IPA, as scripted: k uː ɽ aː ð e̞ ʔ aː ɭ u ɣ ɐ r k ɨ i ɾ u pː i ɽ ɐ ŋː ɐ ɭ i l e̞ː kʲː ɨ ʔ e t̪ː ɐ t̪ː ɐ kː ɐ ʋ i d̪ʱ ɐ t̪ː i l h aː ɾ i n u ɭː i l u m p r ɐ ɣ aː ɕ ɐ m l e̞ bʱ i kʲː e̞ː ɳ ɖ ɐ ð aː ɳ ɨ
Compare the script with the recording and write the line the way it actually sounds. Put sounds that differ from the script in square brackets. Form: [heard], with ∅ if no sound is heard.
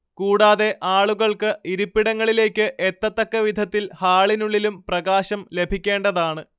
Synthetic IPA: k uː ɽ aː ð e̞ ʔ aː ɭ u ɣ ɐ [ɭ] k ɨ i ɾ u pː i ɽ ɐ ŋː ɐ ɭ i l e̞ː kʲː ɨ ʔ e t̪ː ɐ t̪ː ɐ kː ɐ ʋ i d̪ʱ ɐ t̪ː i l h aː [ɭ] i n u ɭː i l u m p r ɐ ɣ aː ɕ ɐ m l e̞ bʱ i kʲː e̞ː ɳ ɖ ɐ ð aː ɳ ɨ